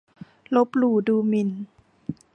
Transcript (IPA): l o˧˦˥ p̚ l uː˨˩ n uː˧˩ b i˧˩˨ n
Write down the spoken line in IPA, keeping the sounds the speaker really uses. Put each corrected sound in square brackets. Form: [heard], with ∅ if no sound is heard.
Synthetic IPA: l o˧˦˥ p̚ l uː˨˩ [d] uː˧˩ [m] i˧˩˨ n